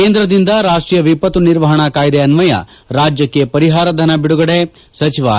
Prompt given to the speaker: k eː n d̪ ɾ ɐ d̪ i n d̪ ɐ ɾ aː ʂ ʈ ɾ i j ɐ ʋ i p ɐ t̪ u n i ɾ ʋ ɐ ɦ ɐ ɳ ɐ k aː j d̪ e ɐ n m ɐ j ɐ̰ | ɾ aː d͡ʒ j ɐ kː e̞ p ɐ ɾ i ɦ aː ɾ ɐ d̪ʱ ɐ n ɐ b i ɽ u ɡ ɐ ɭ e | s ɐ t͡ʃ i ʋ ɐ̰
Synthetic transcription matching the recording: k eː n d̪ ɾ ɐ d̪ i n d̪ ɐ ɾ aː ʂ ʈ ɾ i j ɐ ʋ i p ɐ t̪ u n i ɾ ʋ ɐ ɦ ɐ ɳ ɐ k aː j d̪ e ɐ n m ɐ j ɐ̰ | ɾ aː d͡ʒ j ɐ kː e̞ p ɐ ɾ i ɦ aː ɾ ɐ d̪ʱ ɐ n ɐ b i ɽ u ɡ ɐ ɽ e | s ɐ t͡ʃ i ʋ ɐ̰